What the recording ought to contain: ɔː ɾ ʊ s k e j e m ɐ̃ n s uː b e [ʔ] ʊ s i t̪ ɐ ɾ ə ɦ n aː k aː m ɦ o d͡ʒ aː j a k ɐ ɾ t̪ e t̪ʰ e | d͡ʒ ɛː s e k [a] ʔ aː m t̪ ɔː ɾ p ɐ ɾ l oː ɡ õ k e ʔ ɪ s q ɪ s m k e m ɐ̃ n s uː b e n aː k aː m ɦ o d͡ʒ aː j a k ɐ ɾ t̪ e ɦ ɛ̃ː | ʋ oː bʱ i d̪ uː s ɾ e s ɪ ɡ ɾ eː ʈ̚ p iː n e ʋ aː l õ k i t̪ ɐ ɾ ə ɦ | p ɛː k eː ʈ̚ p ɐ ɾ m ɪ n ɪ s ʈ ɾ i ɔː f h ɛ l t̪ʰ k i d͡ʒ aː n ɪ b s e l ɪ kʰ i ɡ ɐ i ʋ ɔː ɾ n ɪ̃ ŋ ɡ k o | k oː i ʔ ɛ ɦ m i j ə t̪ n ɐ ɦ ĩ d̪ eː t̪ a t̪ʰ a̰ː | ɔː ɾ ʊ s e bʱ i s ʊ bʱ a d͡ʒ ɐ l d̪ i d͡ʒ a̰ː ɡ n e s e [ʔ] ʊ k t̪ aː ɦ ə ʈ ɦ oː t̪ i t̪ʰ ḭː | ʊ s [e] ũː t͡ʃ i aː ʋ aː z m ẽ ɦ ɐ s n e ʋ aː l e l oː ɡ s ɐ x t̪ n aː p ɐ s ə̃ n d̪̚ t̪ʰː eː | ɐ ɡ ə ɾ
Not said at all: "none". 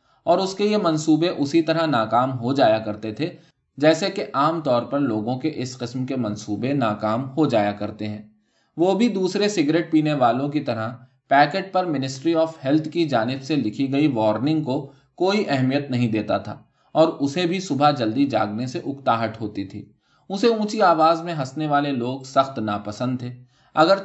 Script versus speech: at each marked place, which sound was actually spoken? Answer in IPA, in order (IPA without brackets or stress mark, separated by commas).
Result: ʔ, e, ʔ, e